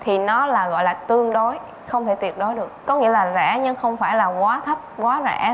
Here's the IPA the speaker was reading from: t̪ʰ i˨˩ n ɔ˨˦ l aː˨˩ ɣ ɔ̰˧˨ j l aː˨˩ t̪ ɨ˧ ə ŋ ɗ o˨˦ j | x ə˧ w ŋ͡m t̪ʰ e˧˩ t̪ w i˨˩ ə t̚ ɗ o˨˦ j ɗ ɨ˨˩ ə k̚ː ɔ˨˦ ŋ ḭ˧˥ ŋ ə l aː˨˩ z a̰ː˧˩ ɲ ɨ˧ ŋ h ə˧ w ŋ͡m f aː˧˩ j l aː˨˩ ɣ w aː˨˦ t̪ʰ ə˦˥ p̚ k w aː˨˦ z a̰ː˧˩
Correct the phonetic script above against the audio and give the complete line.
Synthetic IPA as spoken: t̪ʰ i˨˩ n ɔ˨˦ l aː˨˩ ɣ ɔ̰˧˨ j l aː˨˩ t̪ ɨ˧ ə ŋ ɗ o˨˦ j | x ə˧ w ŋ͡m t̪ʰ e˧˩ t̪ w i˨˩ ə t̚ ɗ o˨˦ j ɗ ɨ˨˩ ə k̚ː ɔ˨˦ ŋ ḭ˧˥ ə l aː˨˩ z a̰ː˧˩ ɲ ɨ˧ ŋ x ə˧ w ŋ͡m f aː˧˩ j l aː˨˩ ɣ w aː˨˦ t̪ʰ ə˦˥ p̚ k w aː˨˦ z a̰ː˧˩